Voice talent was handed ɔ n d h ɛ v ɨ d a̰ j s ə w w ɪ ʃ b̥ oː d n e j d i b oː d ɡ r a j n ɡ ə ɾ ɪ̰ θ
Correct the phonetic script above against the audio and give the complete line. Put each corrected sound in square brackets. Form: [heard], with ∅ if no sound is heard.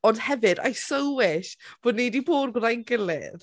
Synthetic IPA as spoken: ɔ n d h ɛ v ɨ d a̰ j s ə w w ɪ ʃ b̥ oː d n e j d i b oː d ɡ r a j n ɡ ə [l] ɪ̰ [ð]